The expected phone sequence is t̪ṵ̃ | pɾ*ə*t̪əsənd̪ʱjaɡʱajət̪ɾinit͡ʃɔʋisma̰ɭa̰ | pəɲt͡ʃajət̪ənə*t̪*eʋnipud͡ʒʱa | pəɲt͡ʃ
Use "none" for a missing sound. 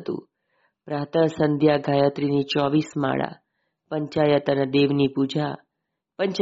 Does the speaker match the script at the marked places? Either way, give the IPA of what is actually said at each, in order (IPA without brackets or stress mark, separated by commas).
a, d̪